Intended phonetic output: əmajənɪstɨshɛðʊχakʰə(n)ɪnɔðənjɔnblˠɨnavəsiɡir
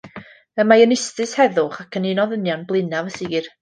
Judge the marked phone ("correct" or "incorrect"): correct